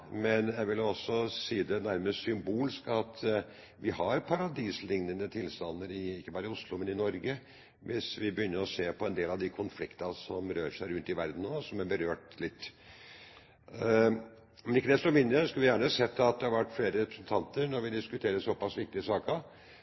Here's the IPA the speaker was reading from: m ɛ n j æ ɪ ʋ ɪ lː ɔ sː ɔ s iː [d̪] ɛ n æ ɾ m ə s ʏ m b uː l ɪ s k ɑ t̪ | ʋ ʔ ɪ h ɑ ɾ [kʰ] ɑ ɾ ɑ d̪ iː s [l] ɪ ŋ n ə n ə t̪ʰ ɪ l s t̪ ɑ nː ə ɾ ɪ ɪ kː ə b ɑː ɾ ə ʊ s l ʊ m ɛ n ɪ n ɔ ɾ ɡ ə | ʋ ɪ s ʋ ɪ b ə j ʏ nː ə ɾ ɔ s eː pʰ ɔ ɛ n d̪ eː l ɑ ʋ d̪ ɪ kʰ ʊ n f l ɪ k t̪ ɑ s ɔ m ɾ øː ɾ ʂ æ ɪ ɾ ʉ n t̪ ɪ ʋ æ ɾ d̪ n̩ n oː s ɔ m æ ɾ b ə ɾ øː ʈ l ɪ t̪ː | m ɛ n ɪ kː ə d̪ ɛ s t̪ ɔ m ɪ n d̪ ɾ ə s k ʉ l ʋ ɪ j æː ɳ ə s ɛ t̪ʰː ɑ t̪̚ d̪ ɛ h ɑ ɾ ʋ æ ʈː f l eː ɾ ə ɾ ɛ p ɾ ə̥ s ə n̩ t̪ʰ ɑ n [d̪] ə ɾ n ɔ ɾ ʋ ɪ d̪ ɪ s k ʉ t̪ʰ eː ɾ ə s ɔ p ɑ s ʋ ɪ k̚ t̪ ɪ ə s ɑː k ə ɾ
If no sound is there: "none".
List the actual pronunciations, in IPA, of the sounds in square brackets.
d̪, pʰ, l, t̪

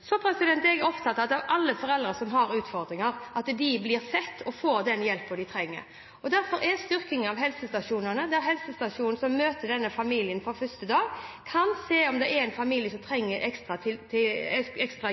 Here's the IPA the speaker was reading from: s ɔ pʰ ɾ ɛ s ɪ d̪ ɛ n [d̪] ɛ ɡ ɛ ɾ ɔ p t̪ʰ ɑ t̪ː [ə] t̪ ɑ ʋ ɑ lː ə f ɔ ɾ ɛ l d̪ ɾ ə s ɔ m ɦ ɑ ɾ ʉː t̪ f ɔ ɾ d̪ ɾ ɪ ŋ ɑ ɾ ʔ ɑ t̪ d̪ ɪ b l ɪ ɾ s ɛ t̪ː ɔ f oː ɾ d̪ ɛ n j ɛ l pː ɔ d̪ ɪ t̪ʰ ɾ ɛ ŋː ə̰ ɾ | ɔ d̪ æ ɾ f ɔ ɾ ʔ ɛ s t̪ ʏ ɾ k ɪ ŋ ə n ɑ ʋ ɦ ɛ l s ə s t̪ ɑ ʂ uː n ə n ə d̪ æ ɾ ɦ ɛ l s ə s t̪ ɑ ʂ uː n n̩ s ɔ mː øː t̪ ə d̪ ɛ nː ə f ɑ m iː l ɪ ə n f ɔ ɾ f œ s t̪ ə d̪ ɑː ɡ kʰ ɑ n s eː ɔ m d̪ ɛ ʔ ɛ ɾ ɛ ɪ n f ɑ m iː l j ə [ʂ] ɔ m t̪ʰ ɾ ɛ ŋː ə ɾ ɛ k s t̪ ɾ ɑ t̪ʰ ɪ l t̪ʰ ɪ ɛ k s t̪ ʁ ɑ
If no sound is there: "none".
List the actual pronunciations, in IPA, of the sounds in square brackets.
t̪, ɑ, s

